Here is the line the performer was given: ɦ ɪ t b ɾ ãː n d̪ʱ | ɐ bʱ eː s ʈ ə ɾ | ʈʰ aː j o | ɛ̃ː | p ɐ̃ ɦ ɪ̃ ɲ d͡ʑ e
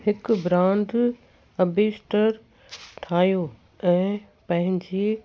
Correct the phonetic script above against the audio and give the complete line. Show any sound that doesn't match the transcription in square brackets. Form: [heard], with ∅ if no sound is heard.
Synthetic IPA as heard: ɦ ɪ [k] b ɾ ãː n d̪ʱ | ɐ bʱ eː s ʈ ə ɾ | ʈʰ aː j o | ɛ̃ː | p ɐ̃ ɦ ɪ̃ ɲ d͡ʑ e